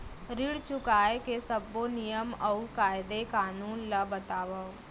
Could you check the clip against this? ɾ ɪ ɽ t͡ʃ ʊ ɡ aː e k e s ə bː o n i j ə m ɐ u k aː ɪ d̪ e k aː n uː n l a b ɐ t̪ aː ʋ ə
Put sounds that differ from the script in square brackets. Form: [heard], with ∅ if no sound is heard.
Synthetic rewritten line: ɾ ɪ ɽ t͡ʃ ʊ [k] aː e k e s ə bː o n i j ə m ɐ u k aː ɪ d̪ e k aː n uː n l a b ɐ t̪ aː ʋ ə